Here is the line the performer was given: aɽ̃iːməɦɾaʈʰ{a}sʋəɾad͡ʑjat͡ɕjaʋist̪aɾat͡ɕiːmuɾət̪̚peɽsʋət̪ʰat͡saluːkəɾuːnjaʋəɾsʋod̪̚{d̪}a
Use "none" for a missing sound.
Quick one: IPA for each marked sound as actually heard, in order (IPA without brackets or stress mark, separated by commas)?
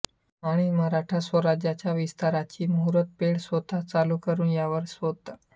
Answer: a, t̪